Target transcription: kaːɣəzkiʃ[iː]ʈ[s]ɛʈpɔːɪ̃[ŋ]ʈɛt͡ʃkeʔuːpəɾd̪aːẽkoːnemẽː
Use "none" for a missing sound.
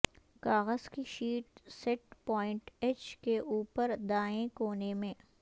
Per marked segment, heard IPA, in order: iː, s, ɳ

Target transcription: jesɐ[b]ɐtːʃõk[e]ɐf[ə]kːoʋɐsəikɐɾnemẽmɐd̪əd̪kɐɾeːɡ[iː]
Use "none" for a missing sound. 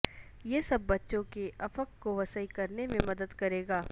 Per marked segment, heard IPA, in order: bː, e, ə, aː

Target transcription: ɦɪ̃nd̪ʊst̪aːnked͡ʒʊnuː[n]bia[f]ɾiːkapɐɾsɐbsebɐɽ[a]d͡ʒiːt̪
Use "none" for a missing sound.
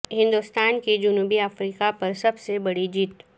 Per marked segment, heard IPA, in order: none, f, i

